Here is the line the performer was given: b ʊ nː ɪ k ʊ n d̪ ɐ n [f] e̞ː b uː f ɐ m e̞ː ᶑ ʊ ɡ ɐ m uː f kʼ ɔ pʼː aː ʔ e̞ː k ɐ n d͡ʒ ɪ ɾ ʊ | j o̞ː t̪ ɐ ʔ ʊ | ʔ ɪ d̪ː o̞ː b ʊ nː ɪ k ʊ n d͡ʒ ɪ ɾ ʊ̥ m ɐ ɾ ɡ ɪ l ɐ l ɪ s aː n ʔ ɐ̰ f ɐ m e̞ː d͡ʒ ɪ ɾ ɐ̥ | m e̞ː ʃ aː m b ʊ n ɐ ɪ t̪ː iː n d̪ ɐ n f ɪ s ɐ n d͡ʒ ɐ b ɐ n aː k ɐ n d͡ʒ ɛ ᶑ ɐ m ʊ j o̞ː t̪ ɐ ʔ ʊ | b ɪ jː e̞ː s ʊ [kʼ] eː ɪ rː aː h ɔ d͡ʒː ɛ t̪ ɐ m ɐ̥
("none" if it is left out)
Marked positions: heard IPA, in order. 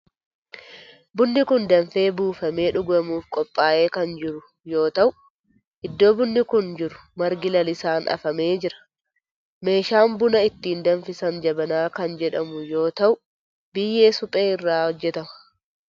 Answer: f, pʼ

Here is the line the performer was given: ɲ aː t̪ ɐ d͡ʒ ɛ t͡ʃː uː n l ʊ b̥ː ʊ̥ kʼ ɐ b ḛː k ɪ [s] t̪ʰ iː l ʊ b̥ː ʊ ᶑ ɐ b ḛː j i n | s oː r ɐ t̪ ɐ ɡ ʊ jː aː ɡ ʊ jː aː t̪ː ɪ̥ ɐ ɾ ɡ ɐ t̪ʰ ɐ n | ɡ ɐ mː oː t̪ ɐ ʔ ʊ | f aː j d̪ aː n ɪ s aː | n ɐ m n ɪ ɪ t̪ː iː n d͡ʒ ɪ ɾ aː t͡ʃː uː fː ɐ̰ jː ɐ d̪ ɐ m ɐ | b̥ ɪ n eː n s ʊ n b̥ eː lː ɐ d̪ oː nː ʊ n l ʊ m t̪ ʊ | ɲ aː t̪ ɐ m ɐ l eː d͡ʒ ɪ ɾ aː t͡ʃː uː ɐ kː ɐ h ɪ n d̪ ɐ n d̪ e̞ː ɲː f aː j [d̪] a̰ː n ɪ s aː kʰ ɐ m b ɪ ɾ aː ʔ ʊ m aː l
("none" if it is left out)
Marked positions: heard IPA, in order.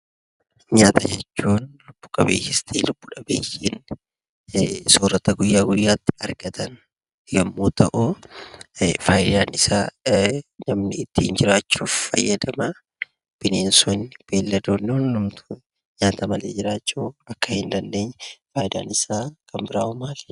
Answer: s, d̪

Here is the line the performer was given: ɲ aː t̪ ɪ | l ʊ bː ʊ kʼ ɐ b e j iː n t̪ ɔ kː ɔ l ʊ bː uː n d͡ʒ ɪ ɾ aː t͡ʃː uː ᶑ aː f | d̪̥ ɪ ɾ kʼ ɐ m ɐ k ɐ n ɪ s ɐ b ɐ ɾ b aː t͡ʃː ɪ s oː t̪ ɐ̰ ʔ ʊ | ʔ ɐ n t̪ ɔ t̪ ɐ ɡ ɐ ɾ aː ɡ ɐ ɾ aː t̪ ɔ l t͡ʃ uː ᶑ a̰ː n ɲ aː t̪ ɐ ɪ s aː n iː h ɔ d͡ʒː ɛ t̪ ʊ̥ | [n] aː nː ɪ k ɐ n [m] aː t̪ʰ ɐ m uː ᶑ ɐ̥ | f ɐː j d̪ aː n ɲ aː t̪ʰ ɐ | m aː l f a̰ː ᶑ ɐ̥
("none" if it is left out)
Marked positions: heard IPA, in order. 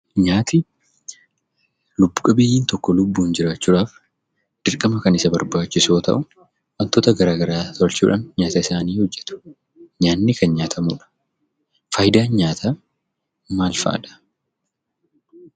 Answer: ɲ, ɲ

